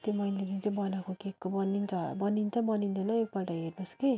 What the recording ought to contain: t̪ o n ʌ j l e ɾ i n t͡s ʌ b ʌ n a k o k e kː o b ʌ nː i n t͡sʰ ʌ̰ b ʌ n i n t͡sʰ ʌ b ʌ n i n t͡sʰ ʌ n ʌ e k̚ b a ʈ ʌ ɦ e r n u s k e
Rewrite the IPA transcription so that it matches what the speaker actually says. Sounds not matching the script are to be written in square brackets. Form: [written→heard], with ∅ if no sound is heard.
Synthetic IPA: t̪ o [n→m] ʌ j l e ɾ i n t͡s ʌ b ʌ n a k o k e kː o b ʌ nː i n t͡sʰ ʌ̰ b ʌ n i n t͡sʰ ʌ b ʌ n i n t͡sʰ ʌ n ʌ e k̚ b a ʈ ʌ ɦ e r n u s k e